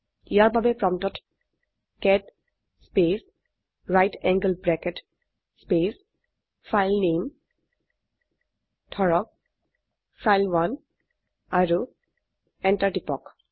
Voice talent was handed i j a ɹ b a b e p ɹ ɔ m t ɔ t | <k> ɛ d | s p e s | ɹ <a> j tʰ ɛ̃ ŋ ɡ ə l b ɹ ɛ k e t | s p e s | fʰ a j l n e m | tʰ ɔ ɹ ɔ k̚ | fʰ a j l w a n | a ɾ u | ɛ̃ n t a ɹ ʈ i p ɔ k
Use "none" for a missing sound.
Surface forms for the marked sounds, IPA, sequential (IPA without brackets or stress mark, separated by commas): k, a